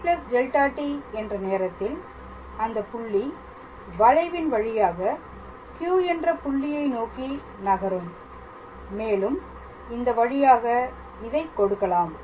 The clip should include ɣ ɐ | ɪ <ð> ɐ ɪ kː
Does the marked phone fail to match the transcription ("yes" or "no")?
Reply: no